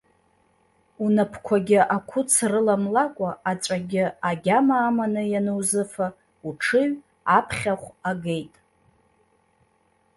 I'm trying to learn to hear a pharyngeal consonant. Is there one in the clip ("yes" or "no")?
no